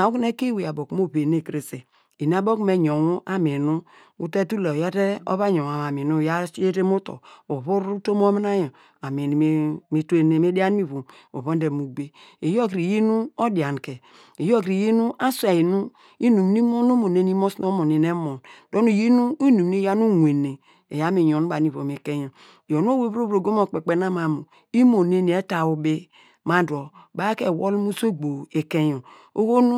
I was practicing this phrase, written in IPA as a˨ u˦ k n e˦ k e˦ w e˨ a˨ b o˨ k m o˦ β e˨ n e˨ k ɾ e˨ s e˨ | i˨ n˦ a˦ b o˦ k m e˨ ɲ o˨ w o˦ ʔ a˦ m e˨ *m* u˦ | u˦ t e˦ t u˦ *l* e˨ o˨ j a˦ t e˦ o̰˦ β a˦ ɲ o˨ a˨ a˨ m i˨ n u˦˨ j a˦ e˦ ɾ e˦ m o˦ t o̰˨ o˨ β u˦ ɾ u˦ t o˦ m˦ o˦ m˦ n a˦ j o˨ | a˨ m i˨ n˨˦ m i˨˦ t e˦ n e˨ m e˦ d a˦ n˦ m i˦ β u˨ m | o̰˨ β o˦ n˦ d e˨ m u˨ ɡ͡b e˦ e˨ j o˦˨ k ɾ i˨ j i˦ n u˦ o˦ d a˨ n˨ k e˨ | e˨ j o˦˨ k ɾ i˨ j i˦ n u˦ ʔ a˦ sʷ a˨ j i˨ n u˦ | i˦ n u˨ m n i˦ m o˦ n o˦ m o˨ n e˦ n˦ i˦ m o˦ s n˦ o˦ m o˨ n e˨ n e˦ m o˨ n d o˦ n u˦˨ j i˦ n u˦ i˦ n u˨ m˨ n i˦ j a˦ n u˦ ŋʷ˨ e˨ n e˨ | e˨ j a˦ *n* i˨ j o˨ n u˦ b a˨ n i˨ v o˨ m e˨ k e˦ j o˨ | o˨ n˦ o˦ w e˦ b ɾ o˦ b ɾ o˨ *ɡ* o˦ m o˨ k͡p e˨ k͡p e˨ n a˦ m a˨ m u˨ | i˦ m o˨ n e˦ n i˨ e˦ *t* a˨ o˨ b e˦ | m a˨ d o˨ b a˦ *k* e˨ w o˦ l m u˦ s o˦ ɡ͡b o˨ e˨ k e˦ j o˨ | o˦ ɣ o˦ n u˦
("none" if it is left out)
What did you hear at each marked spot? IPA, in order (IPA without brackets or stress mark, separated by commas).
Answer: n, l, m, ɡ, t, k